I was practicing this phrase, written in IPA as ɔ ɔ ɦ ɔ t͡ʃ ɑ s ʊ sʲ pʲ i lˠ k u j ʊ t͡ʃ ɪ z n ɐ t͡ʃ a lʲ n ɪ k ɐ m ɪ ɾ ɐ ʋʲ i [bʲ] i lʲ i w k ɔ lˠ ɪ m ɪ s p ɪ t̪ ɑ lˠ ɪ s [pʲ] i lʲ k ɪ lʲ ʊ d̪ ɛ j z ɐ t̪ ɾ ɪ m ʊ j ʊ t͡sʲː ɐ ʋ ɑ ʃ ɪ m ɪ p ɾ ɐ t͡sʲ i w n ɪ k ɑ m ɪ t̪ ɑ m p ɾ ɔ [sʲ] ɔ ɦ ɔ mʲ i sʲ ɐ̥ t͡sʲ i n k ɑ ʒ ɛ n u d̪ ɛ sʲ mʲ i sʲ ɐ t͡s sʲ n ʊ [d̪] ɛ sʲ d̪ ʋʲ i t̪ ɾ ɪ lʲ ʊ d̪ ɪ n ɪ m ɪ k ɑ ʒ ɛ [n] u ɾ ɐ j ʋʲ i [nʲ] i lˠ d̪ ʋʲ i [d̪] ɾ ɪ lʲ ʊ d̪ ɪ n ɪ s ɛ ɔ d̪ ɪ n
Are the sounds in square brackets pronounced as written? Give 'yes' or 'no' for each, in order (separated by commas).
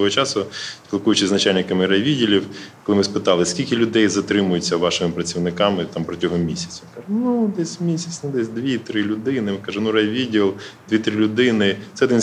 no, no, no, yes, yes, no, no